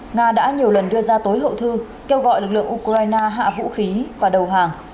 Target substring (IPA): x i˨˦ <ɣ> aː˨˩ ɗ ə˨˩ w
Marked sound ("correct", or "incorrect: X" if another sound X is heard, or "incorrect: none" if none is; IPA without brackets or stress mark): incorrect: v